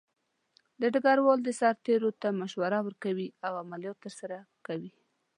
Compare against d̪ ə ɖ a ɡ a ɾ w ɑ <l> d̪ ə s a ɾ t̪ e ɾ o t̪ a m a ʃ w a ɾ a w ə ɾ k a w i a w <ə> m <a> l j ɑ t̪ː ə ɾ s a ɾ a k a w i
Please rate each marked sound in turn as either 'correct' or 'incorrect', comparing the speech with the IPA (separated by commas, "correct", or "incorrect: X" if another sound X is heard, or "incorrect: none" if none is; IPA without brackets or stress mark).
correct, incorrect: a, correct